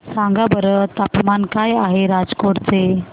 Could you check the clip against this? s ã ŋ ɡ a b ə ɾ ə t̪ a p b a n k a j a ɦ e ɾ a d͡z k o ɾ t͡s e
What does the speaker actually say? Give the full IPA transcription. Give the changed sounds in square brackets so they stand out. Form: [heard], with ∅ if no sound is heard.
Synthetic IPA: s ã ŋ ɡ a b ə ɾ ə t̪ a p [m] a n k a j a ɦ e ɾ a d͡z k o ɾ t͡s e